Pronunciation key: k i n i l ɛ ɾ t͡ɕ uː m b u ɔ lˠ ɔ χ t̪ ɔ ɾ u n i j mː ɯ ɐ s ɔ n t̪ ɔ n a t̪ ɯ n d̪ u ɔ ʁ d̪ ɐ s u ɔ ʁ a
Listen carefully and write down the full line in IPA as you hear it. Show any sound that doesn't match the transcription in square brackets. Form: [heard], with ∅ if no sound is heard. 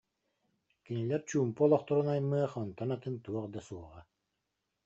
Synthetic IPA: k i n i l ɛ ɾ t͡ɕ uː m [p] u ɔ lˠ ɔ χ t̪ ɔ ɾ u n [a] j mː ɯ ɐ [χ] ɔ n t̪ ɔ n a t̪ ɯ n [t̪] u ɔ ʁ d̪ [a] s u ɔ ʁ a